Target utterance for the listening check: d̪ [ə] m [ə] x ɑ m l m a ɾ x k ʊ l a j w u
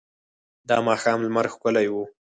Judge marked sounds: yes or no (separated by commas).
no, no